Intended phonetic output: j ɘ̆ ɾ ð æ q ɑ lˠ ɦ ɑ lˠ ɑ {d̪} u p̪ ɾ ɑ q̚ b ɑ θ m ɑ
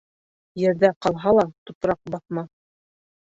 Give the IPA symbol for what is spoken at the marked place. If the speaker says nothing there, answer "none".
t̪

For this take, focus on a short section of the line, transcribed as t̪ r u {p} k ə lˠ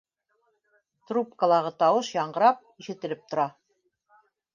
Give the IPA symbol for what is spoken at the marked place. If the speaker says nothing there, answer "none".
p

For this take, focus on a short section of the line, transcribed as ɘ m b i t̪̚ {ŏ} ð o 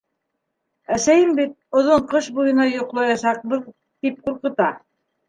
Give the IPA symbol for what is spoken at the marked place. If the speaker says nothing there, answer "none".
ŏ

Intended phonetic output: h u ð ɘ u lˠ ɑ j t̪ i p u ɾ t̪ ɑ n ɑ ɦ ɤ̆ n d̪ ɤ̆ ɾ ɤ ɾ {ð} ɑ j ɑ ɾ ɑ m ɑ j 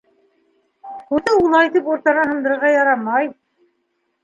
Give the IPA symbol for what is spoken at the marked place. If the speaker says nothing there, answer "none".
ʁ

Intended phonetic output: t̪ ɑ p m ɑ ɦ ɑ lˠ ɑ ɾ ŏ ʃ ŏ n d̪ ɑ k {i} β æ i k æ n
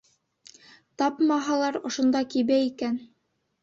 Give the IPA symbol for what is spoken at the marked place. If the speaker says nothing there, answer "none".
i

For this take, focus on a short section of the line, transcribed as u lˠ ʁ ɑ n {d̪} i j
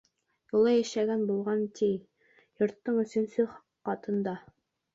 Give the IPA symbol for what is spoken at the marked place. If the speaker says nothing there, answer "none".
t̪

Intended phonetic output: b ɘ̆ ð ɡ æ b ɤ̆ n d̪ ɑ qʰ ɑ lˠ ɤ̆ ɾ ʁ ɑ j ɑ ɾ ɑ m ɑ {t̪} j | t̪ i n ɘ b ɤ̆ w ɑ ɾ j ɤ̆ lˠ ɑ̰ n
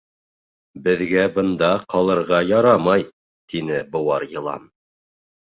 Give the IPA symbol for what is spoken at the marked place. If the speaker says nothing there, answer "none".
none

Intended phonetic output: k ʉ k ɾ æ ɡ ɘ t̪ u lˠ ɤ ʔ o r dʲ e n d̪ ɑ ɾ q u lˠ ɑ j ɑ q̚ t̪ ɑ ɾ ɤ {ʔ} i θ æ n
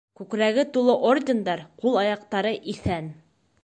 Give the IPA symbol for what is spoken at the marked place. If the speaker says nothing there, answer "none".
ʔ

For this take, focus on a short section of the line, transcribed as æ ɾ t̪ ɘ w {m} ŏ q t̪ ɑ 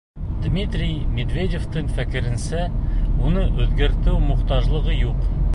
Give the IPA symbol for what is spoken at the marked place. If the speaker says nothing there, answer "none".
m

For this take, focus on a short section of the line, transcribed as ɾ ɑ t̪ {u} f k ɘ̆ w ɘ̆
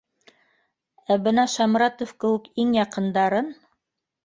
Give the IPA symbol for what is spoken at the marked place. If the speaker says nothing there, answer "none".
o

